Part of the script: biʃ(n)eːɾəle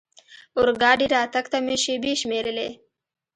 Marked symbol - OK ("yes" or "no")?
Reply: no